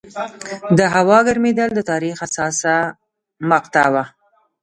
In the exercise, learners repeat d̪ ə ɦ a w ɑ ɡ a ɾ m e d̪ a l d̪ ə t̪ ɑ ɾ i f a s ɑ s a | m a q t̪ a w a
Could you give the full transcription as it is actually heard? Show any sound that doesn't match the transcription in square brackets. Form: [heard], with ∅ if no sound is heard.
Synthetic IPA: d̪ ə ɦ a w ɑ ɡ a ɾ m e d̪ a l d̪ ə t̪ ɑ ɾ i [x] a s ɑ s a | m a q t̪ a w a